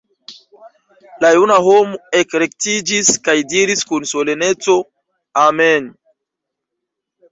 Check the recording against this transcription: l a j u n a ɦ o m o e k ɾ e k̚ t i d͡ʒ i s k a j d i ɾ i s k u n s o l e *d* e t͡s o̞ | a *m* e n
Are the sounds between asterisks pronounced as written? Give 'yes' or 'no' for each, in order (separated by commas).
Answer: no, yes